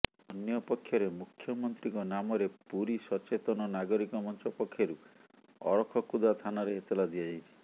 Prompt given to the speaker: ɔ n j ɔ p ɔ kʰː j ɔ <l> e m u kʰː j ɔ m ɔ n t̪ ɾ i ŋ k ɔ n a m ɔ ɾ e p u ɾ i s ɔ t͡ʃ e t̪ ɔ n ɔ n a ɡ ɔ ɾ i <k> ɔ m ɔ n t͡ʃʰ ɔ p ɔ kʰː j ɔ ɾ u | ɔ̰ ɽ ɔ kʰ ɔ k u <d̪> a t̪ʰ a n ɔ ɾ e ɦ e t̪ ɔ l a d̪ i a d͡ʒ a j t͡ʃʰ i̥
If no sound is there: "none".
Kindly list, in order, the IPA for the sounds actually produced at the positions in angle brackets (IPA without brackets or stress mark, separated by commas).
ɾ, k, d̪